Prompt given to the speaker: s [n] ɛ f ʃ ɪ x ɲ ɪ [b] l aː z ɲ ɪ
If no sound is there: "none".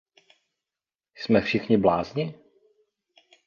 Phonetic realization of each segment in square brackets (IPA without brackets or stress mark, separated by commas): m, b